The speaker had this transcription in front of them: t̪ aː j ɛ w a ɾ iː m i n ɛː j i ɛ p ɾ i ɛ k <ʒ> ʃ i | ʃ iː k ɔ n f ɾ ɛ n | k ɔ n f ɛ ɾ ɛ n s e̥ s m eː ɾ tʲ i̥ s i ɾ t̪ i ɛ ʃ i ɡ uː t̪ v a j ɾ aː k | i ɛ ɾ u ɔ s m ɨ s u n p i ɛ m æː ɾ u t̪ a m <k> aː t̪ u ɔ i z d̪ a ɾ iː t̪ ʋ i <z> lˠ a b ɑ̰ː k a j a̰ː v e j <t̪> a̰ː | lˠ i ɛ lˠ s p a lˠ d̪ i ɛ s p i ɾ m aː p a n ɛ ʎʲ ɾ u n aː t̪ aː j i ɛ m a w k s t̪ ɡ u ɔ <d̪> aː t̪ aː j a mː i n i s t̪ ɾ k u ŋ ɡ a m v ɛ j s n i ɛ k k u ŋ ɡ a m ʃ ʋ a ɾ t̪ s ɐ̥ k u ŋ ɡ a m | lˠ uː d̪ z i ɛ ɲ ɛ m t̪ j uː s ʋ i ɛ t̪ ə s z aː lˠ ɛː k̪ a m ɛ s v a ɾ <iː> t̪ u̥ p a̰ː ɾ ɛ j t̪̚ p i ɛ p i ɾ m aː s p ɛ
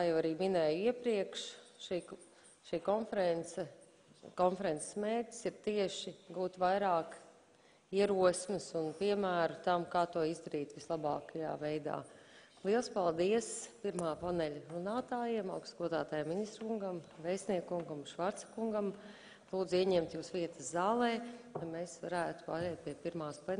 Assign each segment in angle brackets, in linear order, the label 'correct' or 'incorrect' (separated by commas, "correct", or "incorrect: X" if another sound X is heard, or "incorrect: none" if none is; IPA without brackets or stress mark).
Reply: incorrect: ʃ, correct, incorrect: s, incorrect: d̪, correct, incorrect: æː